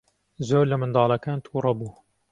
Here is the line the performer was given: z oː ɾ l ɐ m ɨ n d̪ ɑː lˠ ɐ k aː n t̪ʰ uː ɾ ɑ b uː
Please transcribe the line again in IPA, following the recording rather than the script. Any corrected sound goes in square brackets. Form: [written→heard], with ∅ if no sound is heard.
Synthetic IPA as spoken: z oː ɾ l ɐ m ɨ n d̪ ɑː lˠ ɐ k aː n t̪ʰ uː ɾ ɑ b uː